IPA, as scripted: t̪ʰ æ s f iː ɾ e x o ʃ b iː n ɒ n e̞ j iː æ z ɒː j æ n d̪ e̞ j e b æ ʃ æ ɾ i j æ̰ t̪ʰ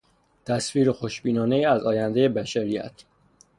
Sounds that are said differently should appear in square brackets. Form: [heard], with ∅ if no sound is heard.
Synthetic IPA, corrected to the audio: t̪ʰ æ s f iː ɾ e x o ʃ b iː n [ɒː] n e̞ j iː æ z ɒː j æ n d̪ e̞ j e b æ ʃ æ ɾ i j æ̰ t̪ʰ